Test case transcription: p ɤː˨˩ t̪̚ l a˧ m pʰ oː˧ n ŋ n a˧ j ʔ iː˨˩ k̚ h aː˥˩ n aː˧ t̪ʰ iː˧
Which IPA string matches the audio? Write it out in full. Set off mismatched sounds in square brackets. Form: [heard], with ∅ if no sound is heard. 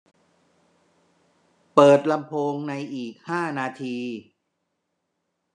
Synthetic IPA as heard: p ɤː˨˩ t̪̚ l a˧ m pʰ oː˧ [∅] ŋ n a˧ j ʔ iː˨˩ k̚ h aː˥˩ n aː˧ t̪ʰ iː˧